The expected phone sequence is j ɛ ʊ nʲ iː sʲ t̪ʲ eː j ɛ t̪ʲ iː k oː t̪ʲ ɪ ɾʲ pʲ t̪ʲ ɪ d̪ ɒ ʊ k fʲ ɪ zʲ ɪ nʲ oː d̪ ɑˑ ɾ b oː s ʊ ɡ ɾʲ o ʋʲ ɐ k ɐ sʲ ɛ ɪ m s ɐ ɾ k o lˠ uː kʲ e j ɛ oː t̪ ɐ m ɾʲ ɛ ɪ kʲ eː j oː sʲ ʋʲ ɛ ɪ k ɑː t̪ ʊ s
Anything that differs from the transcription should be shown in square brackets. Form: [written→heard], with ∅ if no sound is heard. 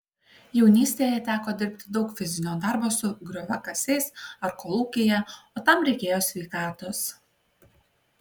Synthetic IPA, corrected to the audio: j ɛ ʊ nʲ iː sʲ t̪ʲ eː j ɛ t̪ʲ [iː→æː] k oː [t̪ʲ→d̪ʲ] ɪ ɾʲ pʲ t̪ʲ ɪ d̪ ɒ ʊ k fʲ ɪ zʲ ɪ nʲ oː d̪ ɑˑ ɾ b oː s ʊ ɡ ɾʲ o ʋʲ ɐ k ɐ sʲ ɛ ɪ [m→∅] s ɐ ɾ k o lˠ uː kʲ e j ɛ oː t̪ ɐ m ɾʲ ɛ ɪ kʲ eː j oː sʲ ʋʲ ɛ ɪ k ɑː t̪ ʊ s